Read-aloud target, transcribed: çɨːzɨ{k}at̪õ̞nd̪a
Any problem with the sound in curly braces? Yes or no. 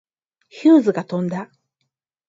yes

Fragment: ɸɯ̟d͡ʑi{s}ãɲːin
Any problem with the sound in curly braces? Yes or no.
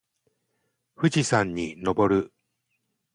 no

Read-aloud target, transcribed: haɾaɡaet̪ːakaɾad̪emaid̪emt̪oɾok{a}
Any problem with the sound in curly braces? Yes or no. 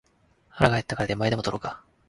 no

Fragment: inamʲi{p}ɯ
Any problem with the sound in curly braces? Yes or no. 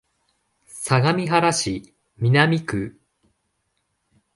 yes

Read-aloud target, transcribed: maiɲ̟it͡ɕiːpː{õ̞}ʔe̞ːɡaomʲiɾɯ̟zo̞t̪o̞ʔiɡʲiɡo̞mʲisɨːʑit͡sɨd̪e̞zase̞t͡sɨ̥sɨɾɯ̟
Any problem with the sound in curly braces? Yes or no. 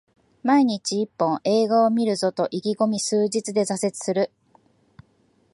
no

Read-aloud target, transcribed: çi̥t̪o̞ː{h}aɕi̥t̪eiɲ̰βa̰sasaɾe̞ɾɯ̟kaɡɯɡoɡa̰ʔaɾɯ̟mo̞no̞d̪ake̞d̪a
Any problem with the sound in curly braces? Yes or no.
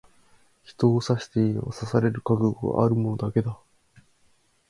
yes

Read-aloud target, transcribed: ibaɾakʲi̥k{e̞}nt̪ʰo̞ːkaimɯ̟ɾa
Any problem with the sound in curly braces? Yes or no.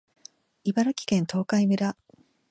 yes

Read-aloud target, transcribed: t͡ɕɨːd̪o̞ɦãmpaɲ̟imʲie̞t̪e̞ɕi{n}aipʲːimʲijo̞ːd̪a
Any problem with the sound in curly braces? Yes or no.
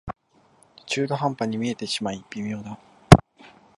yes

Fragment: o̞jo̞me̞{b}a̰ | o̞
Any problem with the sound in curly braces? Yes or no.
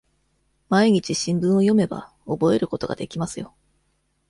no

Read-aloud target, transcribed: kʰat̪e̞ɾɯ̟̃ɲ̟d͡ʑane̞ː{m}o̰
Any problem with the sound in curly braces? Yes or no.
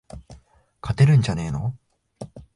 yes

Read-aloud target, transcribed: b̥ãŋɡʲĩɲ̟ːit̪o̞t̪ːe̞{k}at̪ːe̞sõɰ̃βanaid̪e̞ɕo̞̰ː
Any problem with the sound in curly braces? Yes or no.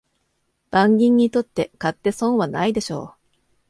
no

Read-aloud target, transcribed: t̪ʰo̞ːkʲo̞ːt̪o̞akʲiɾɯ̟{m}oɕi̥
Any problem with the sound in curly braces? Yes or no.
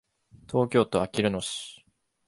yes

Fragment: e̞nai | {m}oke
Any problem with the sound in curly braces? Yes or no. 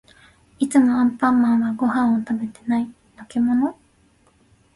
yes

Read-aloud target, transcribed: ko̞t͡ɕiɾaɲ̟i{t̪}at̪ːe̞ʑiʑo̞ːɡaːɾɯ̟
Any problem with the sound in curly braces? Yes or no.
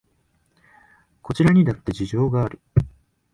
yes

